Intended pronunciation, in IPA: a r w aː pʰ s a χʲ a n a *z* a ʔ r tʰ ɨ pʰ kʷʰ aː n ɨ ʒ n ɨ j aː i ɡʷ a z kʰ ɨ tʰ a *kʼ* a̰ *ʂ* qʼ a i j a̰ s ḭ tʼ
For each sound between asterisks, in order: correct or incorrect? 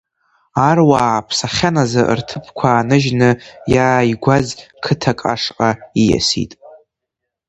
correct, correct, correct

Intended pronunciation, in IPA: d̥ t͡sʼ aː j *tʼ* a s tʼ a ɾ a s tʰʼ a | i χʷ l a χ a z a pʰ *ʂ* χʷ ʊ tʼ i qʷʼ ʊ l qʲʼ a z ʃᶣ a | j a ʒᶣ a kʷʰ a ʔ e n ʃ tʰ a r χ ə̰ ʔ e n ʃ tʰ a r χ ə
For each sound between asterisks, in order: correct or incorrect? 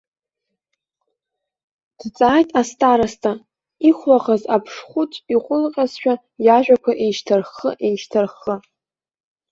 correct, correct

